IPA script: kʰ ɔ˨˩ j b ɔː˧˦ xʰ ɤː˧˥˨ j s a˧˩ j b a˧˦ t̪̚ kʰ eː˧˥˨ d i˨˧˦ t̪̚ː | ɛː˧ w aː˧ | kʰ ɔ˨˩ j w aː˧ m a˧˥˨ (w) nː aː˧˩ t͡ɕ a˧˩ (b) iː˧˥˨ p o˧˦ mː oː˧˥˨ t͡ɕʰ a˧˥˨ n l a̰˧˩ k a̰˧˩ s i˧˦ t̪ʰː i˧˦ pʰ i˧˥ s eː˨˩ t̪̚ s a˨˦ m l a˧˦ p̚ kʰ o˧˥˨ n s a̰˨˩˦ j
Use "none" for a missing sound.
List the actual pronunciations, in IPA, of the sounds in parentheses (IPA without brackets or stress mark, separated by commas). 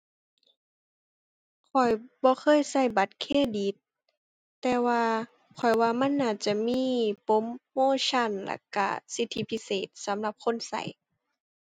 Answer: none, m